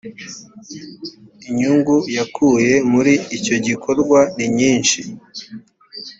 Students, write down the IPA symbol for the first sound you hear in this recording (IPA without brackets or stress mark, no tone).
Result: i